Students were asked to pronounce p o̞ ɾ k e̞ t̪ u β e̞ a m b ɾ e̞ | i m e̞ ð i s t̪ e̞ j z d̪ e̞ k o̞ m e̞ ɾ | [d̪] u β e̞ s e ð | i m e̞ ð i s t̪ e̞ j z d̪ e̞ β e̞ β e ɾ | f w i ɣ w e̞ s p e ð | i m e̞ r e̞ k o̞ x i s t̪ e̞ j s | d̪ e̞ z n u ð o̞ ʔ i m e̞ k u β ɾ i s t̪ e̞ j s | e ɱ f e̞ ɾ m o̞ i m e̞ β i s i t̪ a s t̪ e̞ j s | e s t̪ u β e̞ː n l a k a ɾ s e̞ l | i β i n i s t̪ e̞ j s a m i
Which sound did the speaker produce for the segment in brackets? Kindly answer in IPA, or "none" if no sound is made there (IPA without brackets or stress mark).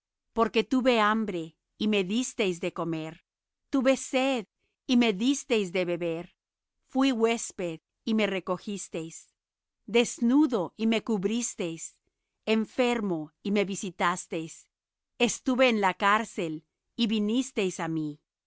t̪